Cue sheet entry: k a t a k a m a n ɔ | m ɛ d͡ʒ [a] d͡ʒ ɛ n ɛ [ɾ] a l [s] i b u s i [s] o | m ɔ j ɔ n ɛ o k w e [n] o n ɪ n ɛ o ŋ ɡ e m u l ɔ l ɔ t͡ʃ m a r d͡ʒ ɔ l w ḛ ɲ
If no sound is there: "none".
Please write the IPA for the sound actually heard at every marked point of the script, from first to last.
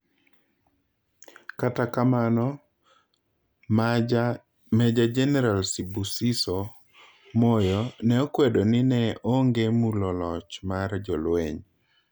a, ɾ, s, s, d

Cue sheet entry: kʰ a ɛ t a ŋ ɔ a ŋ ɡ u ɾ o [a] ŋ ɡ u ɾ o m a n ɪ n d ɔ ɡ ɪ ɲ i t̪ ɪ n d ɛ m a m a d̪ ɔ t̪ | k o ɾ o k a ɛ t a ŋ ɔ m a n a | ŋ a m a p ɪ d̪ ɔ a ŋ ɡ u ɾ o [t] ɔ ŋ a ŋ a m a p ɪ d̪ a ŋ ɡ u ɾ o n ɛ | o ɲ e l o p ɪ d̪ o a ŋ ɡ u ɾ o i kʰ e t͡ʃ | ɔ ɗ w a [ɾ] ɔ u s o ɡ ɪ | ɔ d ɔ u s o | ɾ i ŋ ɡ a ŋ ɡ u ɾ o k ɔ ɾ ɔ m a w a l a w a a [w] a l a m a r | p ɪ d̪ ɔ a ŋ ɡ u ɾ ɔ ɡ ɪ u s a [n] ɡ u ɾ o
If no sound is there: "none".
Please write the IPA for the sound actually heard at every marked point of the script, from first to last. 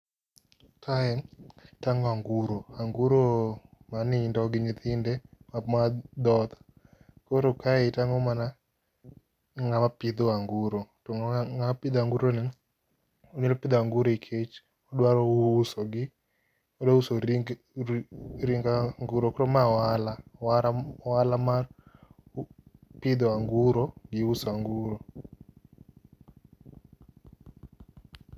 a, t, ɾ, w, ŋ

